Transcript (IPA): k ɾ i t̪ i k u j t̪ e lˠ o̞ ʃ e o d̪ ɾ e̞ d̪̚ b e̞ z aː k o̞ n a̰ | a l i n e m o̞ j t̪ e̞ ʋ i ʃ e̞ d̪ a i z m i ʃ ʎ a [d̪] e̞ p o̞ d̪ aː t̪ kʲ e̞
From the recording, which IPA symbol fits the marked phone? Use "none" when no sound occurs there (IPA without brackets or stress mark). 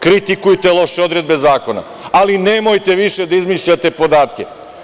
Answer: t̪